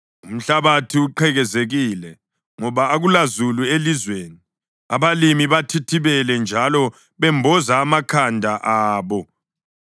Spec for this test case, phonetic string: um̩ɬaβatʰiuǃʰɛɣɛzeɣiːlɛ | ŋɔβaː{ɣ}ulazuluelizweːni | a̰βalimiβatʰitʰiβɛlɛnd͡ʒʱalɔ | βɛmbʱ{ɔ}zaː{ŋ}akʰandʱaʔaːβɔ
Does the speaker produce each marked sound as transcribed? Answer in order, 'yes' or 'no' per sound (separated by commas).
yes, yes, no